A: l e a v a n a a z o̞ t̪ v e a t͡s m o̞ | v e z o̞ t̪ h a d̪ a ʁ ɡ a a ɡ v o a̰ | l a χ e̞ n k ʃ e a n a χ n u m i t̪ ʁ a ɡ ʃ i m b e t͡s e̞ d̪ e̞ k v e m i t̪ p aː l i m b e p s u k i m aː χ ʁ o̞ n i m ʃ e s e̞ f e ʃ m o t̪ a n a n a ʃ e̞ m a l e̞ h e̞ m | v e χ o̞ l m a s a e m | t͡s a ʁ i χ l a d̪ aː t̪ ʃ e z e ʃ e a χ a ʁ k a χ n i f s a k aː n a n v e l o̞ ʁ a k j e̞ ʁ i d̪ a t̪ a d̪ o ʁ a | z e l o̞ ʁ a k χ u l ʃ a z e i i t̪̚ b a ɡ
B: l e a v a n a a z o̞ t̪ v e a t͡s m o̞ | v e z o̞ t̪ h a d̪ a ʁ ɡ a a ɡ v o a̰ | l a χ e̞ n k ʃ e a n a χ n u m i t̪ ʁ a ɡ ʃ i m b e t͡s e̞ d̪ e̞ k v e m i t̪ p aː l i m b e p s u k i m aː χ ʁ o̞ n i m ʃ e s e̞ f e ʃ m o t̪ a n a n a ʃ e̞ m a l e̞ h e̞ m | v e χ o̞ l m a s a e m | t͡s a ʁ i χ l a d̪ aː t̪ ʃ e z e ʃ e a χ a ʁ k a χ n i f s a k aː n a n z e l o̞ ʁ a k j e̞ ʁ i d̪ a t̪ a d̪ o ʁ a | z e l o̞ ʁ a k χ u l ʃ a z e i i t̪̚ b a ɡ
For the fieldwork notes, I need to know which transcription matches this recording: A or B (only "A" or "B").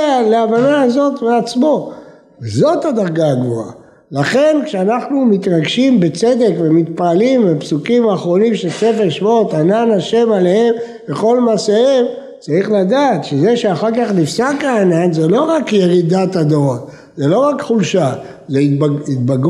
B